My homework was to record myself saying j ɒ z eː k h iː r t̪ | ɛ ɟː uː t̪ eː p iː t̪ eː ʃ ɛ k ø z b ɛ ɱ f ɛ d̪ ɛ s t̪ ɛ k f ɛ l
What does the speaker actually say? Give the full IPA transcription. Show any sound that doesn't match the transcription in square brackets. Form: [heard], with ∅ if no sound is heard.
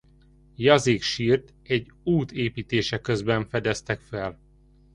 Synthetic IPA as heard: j ɒ z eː k [ʃ] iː r t̪ | ɛ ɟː uː t̪ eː p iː t̪ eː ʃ ɛ k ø z b ɛ ɱ f ɛ d̪ ɛ s t̪ ɛ k f ɛ l